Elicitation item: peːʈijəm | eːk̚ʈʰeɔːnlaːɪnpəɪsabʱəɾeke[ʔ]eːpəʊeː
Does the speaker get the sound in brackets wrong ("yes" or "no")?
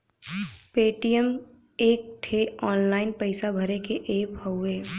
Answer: no